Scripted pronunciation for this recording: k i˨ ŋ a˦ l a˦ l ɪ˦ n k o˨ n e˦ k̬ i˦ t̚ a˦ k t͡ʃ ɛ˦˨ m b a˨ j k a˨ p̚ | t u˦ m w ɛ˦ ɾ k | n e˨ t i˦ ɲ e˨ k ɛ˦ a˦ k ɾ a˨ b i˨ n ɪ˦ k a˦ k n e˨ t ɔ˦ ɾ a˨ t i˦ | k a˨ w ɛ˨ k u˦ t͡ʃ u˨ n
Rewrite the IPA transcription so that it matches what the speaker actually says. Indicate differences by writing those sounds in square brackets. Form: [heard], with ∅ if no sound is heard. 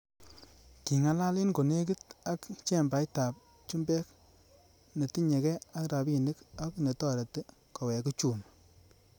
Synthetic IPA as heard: k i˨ ŋ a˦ l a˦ l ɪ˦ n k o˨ n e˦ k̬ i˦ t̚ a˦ k t͡ʃ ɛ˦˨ m b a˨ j [t] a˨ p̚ | [t͡ʃ] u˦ m [b] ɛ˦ [∅] k | n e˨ t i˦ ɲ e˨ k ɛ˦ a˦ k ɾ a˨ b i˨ n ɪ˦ k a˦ k n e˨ t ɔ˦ ɾ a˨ t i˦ | k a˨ w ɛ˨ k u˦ t͡ʃ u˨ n